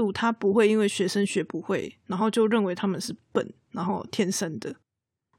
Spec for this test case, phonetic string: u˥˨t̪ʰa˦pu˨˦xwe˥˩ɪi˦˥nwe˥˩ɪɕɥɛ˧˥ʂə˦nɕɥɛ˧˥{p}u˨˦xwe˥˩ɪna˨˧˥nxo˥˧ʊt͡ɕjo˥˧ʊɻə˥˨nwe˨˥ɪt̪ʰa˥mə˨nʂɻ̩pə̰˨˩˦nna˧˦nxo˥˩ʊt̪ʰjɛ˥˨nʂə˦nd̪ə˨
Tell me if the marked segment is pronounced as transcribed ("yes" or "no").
yes